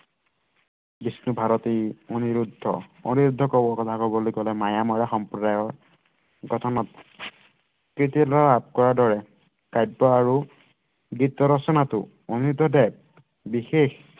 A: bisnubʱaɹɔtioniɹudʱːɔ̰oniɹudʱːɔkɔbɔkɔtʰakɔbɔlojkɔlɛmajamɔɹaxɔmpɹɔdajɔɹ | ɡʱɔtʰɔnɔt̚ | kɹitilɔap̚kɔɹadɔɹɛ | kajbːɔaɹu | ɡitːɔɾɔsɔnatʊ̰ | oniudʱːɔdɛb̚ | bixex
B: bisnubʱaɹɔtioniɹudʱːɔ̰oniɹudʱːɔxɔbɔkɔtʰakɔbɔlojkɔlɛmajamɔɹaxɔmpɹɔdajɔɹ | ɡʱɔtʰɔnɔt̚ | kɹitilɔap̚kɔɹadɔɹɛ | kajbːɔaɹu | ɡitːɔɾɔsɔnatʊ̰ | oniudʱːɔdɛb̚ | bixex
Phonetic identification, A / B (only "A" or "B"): A